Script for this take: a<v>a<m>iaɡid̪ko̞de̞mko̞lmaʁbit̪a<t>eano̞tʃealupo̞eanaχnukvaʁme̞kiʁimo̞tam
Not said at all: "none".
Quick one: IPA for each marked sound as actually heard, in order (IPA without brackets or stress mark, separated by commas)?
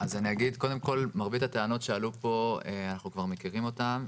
z, n, t